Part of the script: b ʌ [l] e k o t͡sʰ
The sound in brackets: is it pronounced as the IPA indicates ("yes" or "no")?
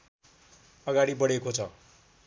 no